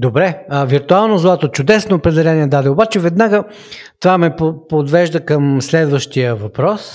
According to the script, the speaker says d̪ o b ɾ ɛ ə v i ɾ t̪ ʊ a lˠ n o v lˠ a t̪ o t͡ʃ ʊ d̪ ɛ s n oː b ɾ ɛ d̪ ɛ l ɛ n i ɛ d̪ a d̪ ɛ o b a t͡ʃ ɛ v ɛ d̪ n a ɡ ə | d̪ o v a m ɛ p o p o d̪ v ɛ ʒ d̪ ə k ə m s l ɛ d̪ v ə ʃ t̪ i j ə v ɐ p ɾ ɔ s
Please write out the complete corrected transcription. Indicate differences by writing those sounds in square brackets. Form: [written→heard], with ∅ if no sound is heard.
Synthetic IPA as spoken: d̪ o b ɾ ɛ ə v i ɾ t̪ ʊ a lˠ n o [v→z] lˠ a t̪ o t͡ʃ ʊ d̪ ɛ s n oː [b→p] ɾ ɛ d̪ ɛ l ɛ n i ɛ d̪ a d̪ ɛ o b a t͡ʃ ɛ v ɛ d̪ n a ɡ ə | [d̪→t̪] o v a m ɛ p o p o d̪ v ɛ ʒ d̪ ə k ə m s l ɛ d̪ v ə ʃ t̪ i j ə v ɐ p ɾ ɔ s